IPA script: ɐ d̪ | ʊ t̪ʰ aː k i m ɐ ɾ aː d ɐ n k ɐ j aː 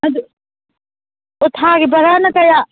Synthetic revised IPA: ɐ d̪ | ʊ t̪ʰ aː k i b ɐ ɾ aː n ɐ k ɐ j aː